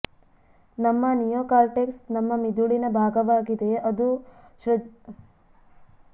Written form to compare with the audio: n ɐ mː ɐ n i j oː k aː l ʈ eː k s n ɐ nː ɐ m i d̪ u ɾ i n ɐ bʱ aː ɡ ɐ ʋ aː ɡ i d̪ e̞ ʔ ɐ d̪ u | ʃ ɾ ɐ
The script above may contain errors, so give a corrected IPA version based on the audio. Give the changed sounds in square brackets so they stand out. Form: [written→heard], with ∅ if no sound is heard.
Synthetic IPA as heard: n ɐ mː ɐ n i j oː k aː l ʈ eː k s n ɐ [nː→mː] ɐ m i d̪ u [ɾ→ɭ] i n ɐ bʱ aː ɡ ɐ ʋ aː ɡ i d̪ e̞ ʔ ɐ d̪ u | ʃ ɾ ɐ